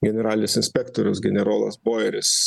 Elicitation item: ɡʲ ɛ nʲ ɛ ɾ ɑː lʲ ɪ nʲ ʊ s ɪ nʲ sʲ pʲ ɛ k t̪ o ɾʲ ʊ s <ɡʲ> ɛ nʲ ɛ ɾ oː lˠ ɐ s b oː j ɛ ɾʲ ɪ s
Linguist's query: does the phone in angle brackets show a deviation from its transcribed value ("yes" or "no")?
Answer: no